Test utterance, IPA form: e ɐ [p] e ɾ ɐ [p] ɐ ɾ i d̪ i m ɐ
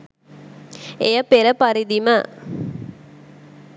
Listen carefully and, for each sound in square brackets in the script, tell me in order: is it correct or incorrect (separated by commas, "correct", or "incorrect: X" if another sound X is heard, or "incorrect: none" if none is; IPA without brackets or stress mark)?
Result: correct, correct